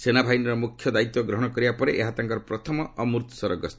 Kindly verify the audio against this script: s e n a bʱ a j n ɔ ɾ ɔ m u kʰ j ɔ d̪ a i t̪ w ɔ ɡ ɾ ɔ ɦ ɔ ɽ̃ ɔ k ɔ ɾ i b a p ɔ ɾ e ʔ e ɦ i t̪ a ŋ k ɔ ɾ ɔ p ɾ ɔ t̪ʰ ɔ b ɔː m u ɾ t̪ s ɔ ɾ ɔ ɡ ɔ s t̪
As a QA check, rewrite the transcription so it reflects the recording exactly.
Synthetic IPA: s e n a bʱ a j n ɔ ɾ ɔ m u kʰ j ɔ d̪ a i t̪ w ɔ ɡ ɾ ɔ ɦ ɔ ɽ̃ ɔ k ɔ ɾ i b a p ɔ ɾ e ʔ e ɦ a t̪ a ŋ k ɔ ɾ ɔ p ɾ ɔ t̪ʰ ɔ m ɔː m u ɾ t̪ s ɔ ɾ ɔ ɡ ɔ s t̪